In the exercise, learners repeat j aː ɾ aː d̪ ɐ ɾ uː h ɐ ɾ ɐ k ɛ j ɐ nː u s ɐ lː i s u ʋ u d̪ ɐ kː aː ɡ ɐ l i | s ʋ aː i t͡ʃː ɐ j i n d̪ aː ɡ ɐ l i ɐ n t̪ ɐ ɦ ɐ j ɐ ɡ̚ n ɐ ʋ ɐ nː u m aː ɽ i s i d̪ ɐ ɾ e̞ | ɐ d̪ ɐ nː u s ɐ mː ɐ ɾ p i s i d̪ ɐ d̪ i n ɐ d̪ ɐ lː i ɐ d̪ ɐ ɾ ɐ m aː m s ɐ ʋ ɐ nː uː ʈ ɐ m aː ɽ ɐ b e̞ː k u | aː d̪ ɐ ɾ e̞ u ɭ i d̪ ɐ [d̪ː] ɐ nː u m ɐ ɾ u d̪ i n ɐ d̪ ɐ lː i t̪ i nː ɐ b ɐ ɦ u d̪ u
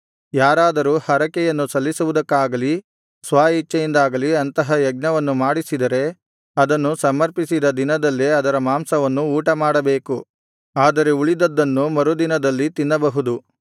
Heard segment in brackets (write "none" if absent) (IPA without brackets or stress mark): d̪ː